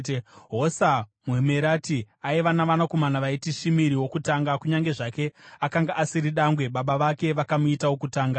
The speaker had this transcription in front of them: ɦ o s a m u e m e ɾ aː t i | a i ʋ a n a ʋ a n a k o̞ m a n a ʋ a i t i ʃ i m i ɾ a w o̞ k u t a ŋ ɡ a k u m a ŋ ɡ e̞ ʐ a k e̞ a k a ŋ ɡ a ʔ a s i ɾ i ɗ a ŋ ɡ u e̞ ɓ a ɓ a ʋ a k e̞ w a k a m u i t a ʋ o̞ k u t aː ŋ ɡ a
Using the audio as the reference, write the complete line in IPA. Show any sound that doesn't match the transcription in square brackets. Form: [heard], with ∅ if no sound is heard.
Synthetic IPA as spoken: ɦ o s a m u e m e ɾ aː t i | a i ʋ a n a ʋ a n a k o̞ m a n a ʋ a i t i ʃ i m i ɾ [i] w o̞ k u t a ŋ ɡ a k u [ɲ] a ŋ ɡ e̞ ʐ a k e̞ a k a ŋ ɡ a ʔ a s i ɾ i ɗ a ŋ ɡ [w] e̞ ɓ a ɓ a ʋ a k e̞ [ʋ] a k a m u i t a [w] o̞ k u t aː ŋ ɡ a